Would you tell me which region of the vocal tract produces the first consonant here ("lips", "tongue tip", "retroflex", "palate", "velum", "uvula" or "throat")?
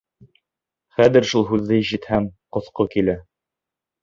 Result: uvula